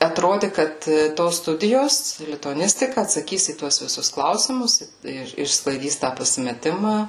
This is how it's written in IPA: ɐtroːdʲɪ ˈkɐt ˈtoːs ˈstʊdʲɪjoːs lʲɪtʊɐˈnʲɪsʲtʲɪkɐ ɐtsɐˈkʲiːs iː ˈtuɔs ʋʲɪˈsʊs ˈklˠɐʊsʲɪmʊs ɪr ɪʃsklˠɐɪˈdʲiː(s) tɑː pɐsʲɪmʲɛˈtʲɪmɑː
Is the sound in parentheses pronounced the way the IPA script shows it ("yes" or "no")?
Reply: yes